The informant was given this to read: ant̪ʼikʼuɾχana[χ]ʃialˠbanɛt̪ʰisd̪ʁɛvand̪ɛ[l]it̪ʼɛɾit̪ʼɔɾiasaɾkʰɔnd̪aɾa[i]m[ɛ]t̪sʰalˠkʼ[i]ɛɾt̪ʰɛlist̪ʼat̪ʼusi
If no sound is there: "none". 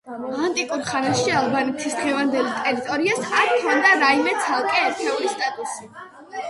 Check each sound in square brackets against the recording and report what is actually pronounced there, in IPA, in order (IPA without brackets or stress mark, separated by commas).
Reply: none, l, i, ɛ, ɛ